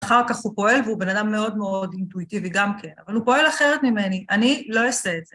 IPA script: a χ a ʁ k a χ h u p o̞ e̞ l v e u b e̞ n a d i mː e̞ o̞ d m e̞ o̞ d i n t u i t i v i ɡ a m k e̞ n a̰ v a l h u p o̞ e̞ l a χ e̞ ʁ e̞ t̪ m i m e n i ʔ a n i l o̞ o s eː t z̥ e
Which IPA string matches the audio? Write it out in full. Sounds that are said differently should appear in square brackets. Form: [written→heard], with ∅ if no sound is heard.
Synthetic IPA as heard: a χ a ʁ k a χ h u p o̞ e̞ l v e u b e̞ n a d [i→a] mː e̞ o̞ d m e̞ o̞ d i n t u i t i v i ɡ a m k e̞ n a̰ v a l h u p o̞ e̞ l a χ e̞ ʁ e̞ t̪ m i m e n i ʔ a n i l o̞ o s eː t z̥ e